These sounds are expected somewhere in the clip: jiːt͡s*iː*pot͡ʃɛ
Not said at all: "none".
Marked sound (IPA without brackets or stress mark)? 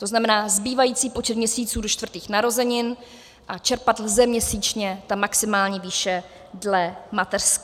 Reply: iː